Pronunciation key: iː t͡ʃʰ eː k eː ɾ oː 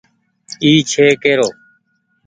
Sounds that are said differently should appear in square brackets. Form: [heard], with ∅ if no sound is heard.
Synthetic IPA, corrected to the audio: iː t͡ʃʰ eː k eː ɾ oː